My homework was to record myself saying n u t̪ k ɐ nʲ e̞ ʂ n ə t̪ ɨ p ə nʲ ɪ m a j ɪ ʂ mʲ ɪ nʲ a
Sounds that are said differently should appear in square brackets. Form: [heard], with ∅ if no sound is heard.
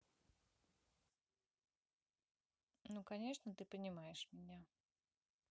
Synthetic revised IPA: n u [∅] k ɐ nʲ e̞ ʂ n ə t̪ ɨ p ə nʲ ɪ m a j ɪ ʂ mʲ ɪ nʲ a